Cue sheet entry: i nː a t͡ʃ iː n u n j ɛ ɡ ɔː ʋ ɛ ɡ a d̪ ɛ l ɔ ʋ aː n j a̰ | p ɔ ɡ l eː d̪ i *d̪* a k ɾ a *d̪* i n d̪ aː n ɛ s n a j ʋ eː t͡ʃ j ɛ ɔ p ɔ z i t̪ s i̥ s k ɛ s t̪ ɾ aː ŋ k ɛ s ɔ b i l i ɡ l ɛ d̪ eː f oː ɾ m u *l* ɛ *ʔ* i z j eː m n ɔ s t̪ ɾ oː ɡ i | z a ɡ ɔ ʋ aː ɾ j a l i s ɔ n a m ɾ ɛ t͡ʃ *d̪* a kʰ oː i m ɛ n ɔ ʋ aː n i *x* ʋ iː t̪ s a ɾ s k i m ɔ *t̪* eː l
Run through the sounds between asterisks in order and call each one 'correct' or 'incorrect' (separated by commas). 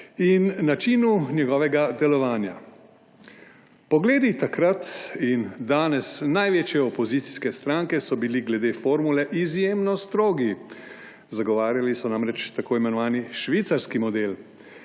incorrect, incorrect, correct, correct, incorrect, incorrect, incorrect